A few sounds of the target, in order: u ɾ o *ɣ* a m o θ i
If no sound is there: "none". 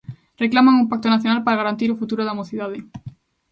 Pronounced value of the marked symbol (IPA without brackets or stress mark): ð